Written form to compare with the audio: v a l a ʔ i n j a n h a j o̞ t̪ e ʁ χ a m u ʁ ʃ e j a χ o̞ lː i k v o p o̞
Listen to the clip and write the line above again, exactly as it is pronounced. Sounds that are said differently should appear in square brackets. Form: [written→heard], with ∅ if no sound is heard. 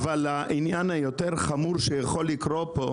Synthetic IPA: v a l a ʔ i n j a n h a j o̞ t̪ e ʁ χ a m u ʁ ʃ e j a χ o̞ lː i k [v→ʁ] o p o̞